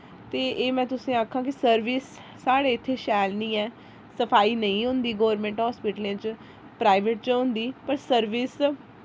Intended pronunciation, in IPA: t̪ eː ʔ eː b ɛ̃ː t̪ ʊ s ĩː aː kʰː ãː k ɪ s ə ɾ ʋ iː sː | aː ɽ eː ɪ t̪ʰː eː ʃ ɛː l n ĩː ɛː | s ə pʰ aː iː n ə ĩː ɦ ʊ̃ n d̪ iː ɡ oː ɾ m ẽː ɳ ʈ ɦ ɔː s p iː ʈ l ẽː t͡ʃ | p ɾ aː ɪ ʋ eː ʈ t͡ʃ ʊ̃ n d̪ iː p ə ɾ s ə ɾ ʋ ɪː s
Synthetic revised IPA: t̪ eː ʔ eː m ɛ̃ː t̪ ʊ s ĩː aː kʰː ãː k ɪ s ə ɾ ʋ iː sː | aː ɽ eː ɪ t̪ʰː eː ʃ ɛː l n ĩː ɛː | s ə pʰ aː iː n ə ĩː ɦ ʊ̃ n d̪ iː ɡ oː ɾ m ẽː ɳ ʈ ɦ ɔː s p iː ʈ l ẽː t͡ʃ | p ɾ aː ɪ ʋ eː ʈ t͡ʃ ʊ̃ n d̪ iː p ə ɾ s ə ɾ ʋ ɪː s

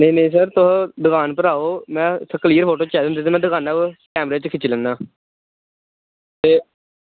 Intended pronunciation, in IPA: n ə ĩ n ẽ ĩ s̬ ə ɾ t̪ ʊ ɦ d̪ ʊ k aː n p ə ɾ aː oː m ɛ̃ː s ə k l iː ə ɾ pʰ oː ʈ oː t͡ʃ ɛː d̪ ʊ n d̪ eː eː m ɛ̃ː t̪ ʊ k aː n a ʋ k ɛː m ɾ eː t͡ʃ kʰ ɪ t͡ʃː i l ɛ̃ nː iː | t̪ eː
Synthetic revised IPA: n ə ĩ n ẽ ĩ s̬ ə ɾ t̪ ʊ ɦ d̪ ʊ k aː n p ə ɾ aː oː m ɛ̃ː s ə k l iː ə ɾ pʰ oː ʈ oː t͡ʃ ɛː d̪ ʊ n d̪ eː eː m ɛ̃ː d̪ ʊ k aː n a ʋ k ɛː m ɾ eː t͡ʃ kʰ ɪ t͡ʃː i l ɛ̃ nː aː | t̪ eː

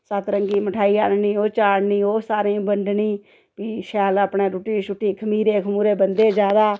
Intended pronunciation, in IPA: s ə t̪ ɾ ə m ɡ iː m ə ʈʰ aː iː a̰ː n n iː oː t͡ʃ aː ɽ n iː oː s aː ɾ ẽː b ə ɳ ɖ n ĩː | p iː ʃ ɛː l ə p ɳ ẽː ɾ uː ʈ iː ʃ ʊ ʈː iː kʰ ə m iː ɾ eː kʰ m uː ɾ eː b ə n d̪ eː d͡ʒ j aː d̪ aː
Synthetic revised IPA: s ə t̪ ɾ ə ŋ ɡ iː m ə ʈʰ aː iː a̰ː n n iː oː t͡ʃ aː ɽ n iː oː s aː ɾ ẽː b ə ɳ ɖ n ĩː | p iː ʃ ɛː l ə p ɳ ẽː ɾ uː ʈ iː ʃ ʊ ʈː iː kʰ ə m iː ɾ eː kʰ m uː ɾ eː b ə n d̪ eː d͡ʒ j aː d̪ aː

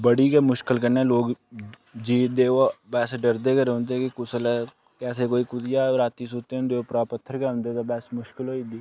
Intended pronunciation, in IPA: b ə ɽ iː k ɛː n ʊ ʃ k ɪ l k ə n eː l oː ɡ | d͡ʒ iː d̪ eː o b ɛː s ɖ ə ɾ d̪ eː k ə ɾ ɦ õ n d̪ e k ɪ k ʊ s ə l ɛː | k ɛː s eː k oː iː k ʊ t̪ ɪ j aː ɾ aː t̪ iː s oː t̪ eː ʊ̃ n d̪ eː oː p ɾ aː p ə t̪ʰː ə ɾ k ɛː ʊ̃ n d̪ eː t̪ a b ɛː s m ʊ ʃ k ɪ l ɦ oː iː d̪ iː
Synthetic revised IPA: b ə ɽ iː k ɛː m ʊ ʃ k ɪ l k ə n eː l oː ɡ | d͡ʒ iː d̪ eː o b ɛː s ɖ ə ɾ d̪ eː k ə ɾ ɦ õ n d̪ e k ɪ k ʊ s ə l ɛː | k ɛː s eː k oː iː k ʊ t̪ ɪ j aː ɾ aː t̪ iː s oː t̪ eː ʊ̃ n d̪ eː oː p ɾ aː p ə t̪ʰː ə ɾ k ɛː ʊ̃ n d̪ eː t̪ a b ɛː s m ʊ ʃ k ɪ l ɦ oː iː d̪ iː

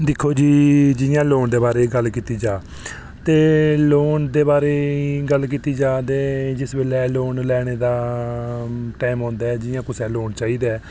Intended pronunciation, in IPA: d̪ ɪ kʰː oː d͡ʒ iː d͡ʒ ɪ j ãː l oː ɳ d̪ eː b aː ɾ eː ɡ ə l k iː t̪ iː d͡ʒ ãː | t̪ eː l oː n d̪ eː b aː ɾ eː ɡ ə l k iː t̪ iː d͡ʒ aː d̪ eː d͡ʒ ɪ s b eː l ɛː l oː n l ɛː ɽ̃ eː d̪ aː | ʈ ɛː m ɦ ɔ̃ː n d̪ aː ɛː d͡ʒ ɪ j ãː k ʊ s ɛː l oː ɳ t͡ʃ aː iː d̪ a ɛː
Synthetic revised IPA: d̪ ɪ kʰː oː d͡ʒ iː d͡ʒ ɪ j ãː l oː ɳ d̪ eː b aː ɾ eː ɡ ə l k iː t̪ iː d͡ʒ aː | t̪ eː l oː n d̪ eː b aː ɾ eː ɡ ə l k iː t̪ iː d͡ʒ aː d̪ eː d͡ʒ ɪ s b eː l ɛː l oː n l ɛː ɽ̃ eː d̪ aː | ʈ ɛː m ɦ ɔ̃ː n d̪ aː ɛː d͡ʒ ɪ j ãː k ʊ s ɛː l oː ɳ t͡ʃ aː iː d̪ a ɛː

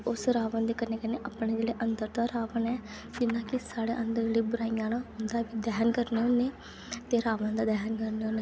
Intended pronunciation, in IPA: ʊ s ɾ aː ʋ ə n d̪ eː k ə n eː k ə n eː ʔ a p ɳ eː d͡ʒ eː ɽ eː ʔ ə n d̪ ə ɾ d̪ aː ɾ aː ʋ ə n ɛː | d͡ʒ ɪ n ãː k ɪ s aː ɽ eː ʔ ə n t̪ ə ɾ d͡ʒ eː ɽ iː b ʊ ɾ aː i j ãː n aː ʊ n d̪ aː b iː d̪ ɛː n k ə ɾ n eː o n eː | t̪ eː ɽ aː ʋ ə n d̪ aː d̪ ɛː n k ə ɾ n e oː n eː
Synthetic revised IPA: ʊ s ɾ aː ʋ ə n d̪ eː k ə n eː k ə n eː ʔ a p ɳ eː d͡ʒ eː ɽ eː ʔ ə n d̪ ə ɾ d̪ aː ɾ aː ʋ ə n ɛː | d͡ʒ ɪ n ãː k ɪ s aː ɽ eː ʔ ə n d̪ ə ɾ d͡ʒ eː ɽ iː b ʊ ɾ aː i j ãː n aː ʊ n d̪ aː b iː d̪ ɛː n k ə ɾ n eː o n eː | t̪ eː ɾ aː ʋ ə n d̪ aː d̪ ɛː n k ə ɾ n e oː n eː

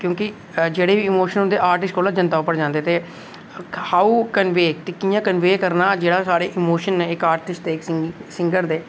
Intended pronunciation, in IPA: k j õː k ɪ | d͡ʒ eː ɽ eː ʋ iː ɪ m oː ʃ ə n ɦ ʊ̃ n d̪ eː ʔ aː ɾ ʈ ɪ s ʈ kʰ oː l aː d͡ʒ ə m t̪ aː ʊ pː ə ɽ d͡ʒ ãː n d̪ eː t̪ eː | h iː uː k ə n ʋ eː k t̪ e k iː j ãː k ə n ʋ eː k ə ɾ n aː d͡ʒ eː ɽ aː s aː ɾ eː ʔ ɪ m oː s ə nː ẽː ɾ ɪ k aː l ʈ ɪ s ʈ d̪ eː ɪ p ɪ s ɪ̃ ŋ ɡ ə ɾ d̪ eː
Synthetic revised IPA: k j õː k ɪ | d͡ʒ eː ɽ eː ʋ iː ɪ m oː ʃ ə n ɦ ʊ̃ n d̪ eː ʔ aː ɾ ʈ ɪ s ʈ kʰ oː l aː d͡ʒ ə n t̪ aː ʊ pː ə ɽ d͡ʒ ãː n d̪ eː t̪ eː | h aː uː k ə n ʋ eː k t̪ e k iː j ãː k ə n ʋ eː k ə ɾ n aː d͡ʒ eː ɽ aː s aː ɾ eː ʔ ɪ m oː ʃ ə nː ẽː ɪ k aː ɾ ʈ ɪ s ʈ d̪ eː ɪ k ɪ s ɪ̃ ŋ ɡ ə ɾ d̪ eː

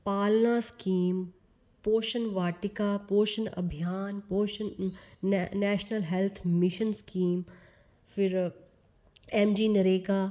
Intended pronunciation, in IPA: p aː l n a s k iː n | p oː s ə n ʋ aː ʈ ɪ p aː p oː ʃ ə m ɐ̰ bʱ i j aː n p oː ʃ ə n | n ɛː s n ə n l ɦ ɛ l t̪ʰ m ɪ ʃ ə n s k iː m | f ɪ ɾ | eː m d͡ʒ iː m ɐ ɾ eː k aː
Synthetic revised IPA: p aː l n a s k iː m | p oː ʃ ə n ʋ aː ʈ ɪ k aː p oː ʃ ə n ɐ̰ bʱ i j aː n p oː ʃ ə n | n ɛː ʃ n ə l ɦ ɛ l t̪ʰ m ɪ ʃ ə n s k iː m | f ɪ ɾ | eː m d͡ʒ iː n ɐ ɾ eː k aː

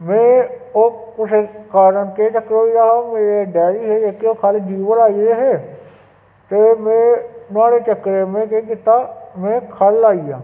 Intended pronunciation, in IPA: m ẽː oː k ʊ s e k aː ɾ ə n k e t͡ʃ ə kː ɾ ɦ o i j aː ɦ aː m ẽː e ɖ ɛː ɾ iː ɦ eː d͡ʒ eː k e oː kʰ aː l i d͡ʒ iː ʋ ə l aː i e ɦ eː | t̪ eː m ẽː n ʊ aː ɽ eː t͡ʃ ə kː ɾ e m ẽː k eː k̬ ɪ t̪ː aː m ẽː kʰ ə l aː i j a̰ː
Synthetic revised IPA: m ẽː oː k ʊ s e k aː ɾ ə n k e t͡ʃ ə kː ɾ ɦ o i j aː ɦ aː m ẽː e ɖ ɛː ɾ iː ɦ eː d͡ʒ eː k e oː kʰ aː l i d͡ʒ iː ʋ ə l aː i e ɦ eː | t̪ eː m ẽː n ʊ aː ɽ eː t͡ʃ ə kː ɾ e m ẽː k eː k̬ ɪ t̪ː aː m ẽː kʰ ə l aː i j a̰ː

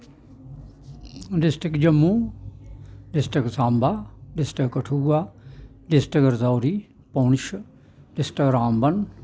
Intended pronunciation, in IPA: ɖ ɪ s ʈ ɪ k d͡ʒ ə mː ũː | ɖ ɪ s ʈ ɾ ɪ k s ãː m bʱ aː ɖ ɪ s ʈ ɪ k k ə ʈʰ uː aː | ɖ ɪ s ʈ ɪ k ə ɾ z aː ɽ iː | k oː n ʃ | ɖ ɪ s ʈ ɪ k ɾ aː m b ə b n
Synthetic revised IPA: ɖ ɪ s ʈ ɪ k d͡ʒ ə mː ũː | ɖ ɪ s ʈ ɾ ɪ k s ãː m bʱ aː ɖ ɪ s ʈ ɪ k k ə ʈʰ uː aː | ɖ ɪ s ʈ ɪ k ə ɾ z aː ɾ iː | p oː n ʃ | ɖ ɪ s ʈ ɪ k ɾ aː m b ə n

